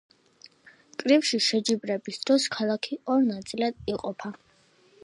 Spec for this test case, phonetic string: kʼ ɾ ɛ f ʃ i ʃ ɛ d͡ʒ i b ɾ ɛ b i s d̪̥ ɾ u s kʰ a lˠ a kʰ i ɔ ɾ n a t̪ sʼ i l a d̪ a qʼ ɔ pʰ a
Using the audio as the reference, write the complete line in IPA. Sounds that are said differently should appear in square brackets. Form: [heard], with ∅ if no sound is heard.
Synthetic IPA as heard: kʼ ɾ [i] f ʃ i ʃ ɛ d͡ʒ i b ɾ ɛ b i s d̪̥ ɾ [ɔ] s kʰ a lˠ a kʰ i ɔ ɾ n a t̪ sʼ i l a d̪ [i] qʼ ɔ pʰ a